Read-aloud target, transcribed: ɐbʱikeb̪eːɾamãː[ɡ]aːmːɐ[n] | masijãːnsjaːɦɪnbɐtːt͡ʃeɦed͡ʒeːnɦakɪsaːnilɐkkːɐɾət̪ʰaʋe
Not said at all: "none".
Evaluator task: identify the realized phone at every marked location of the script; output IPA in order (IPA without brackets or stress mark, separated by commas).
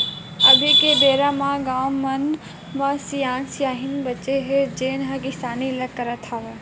ɡ, n